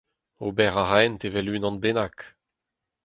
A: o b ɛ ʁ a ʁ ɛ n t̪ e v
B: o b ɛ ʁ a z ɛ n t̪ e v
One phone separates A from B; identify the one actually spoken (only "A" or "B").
A